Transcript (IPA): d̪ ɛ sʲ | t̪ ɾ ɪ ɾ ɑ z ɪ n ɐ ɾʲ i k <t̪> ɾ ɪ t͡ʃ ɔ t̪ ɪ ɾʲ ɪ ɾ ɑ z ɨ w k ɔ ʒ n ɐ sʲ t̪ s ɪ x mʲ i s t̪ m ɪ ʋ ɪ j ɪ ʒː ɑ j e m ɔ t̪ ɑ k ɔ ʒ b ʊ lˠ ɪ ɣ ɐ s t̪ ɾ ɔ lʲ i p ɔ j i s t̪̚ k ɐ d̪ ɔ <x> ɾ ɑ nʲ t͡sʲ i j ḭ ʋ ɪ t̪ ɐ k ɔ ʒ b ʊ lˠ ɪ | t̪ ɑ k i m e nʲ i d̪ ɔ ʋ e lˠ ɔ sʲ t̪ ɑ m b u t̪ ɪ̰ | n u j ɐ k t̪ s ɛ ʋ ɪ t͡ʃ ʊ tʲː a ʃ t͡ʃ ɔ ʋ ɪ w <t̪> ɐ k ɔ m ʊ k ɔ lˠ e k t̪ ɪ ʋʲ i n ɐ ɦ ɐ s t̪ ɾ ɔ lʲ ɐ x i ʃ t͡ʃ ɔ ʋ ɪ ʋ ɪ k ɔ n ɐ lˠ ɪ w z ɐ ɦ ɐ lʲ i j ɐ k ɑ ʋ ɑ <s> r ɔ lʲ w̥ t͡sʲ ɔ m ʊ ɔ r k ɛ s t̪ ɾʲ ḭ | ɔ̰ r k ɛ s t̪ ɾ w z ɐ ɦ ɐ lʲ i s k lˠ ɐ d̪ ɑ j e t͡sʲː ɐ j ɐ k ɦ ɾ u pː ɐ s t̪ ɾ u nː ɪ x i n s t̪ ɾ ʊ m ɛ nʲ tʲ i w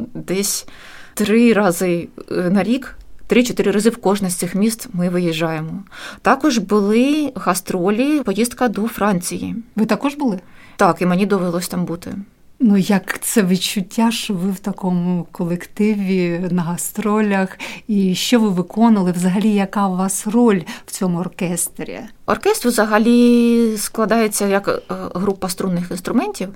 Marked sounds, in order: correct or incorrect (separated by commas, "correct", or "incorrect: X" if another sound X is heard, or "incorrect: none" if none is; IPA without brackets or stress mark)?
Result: correct, incorrect: f, correct, correct